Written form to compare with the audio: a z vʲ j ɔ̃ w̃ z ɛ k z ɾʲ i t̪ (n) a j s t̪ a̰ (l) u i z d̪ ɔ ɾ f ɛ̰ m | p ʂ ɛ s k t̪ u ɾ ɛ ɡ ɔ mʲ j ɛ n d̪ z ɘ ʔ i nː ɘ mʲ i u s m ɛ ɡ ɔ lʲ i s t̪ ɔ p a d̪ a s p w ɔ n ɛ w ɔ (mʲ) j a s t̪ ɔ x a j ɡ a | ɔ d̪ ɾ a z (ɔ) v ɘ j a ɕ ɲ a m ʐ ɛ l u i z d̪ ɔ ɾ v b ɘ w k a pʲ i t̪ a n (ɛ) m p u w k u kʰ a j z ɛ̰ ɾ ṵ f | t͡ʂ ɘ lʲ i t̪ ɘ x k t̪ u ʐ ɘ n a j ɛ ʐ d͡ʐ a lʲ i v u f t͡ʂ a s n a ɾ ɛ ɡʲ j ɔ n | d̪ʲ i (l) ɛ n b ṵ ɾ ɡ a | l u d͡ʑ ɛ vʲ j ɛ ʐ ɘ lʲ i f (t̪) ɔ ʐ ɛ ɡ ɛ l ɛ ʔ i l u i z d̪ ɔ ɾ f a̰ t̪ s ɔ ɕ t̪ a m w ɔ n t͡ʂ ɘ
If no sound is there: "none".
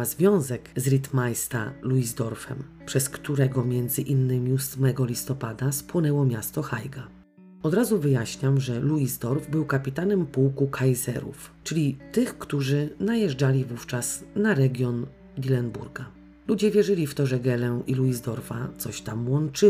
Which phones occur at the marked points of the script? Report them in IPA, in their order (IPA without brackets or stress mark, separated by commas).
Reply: m, l, mʲ, u, ɛ, l, t̪